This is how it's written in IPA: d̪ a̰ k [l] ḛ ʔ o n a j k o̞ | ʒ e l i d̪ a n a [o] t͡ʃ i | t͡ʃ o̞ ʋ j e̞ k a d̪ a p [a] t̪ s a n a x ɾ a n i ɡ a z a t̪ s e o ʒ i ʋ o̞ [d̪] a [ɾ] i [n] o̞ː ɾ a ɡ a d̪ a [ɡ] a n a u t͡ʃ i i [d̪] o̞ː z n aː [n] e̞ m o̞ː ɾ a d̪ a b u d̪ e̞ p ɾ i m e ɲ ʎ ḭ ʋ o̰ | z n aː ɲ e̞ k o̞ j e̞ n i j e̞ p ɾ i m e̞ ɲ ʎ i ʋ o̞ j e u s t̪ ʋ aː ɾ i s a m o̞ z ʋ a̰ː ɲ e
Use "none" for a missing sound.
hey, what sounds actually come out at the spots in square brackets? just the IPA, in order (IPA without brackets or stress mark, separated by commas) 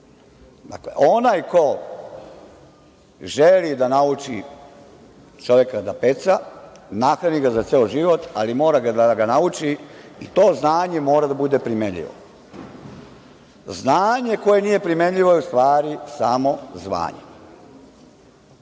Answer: l, u, e, t̪, l, m, ɡ, t̪, ɲ